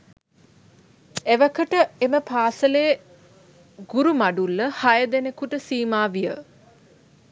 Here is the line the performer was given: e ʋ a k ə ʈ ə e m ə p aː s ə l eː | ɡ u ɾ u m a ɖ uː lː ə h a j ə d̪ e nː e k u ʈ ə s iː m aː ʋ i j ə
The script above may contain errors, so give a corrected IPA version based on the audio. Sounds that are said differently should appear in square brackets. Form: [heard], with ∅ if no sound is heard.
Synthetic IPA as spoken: e ʋ [ə] k ə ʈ ə e m ə p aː s ə l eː | ɡ u ɾ u m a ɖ [u] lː ə h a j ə d̪ e [n] e k u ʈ ə s iː m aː ʋ i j ə

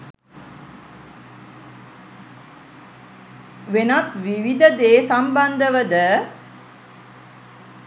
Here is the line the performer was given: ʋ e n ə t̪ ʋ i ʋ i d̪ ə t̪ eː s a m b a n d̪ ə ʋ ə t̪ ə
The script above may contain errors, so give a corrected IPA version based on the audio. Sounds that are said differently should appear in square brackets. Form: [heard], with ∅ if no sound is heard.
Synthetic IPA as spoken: ʋ e n [a] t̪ ʋ i ʋ i d̪ ə [d̪] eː s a m b a n d̪ ə ʋ ə [d̪] ə

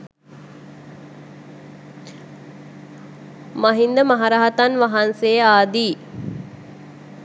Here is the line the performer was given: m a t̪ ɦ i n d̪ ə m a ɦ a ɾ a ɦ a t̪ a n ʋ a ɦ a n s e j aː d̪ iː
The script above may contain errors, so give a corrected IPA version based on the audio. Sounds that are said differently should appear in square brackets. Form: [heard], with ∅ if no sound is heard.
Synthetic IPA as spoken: m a [∅] ɦ i n d̪ ə m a ɦ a ɾ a ɦ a t̪ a n ʋ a ɦ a n s e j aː d̪ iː

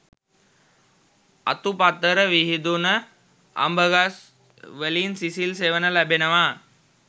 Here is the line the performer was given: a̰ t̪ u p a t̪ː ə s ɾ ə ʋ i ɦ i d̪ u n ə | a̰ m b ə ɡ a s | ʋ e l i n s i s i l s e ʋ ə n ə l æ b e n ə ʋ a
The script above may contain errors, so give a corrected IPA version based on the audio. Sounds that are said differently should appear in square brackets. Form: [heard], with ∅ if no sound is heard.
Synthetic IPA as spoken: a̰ t̪ u p a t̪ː ə [∅] ɾ ə ʋ i ɦ i d̪ u n ə | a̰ m b ə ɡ a s | ʋ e l i n s i s i l s e ʋ ə n ə l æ b e n ə ʋ a

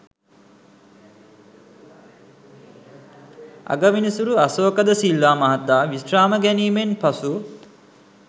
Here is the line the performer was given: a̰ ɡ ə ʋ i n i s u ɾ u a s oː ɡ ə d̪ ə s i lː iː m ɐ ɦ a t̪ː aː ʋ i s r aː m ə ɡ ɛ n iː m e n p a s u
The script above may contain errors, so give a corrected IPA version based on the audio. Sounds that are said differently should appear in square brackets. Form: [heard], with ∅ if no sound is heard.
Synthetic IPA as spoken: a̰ ɡ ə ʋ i n i s u ɾ u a s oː [k] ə d̪ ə s i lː [aː] m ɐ ɦ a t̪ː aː ʋ i s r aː m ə ɡ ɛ n iː m e n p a s u

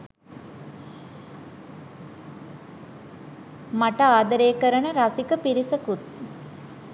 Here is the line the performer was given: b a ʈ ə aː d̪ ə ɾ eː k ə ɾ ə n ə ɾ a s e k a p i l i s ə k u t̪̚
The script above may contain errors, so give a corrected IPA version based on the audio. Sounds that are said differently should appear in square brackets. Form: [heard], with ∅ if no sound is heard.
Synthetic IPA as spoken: [m] a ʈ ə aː d̪ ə ɾ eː k ə ɾ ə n ə ɾ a s [i] k [ə] p i [ɾ] i s ə k u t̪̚

